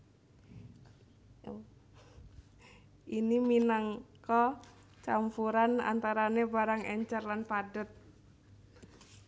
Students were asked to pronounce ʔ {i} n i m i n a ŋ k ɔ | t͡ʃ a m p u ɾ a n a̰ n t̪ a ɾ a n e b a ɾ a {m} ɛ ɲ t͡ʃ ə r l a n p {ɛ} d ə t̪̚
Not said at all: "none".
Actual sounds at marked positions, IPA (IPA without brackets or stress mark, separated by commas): i, ŋ, a